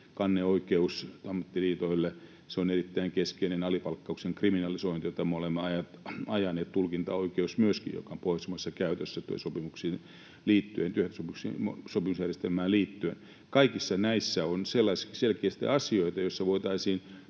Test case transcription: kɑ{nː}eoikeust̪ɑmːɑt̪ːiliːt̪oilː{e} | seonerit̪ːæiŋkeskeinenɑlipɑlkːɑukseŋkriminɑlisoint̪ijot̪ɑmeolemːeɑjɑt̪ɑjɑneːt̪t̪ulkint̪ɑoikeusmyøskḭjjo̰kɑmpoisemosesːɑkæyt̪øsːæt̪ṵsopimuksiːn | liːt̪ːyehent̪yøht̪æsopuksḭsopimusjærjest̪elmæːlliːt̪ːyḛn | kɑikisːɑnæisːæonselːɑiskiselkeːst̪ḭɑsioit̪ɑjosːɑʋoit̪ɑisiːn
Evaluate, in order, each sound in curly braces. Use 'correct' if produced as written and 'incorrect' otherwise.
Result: correct, correct

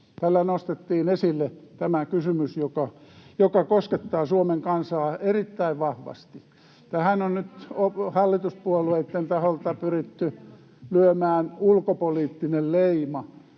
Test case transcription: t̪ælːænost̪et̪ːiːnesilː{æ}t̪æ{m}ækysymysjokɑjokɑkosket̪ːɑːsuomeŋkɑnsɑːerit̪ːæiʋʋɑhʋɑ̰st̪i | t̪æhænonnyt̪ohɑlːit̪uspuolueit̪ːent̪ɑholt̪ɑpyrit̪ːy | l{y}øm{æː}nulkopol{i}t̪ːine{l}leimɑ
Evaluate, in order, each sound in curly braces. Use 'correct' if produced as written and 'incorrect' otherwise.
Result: incorrect, correct, correct, correct, incorrect, correct

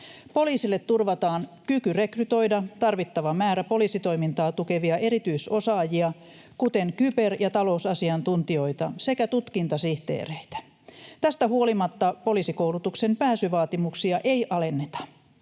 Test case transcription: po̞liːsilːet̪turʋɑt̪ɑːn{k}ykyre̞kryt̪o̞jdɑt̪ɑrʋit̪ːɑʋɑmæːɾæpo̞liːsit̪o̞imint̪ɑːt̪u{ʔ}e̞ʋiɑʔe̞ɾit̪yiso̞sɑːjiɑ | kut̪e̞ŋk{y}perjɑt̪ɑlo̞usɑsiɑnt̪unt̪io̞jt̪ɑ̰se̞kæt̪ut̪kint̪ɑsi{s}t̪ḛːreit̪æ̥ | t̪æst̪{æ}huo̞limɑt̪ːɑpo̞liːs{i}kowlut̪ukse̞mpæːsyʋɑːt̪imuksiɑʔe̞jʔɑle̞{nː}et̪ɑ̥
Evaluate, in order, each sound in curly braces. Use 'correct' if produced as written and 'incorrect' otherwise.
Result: correct, incorrect, correct, incorrect, correct, correct, correct

